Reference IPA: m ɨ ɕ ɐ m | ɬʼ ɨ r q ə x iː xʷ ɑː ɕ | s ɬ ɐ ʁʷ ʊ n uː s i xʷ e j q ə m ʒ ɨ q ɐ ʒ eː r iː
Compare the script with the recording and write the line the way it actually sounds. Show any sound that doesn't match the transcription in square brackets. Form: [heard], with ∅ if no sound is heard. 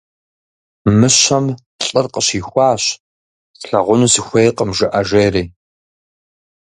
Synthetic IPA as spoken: m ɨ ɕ ɐ m | ɬʼ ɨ r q ə [ɕ] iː xʷ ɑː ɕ | s ɬ ɐ ʁʷ ʊ n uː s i xʷ e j q ə m ʒ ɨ [ʔ] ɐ ʒ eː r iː